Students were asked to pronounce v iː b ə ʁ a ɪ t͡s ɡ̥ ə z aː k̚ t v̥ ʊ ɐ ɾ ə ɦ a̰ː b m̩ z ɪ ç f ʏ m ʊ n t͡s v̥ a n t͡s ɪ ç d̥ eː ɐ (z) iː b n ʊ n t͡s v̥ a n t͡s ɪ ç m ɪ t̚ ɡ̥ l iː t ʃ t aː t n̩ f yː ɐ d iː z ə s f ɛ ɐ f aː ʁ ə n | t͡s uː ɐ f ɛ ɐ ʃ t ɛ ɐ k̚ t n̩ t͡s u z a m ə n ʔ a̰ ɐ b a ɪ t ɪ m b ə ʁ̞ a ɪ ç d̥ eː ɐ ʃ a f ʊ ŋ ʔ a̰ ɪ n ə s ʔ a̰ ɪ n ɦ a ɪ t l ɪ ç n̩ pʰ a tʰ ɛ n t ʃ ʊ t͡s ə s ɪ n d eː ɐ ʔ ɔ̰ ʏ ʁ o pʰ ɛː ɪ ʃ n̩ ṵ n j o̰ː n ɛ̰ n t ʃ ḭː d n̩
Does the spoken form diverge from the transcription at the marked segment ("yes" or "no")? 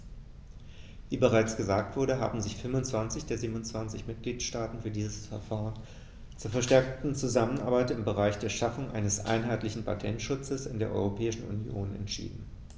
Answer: no